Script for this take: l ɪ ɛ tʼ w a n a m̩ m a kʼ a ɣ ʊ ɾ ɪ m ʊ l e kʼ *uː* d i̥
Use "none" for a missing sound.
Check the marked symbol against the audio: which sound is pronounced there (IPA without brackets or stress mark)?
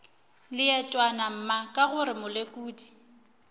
uː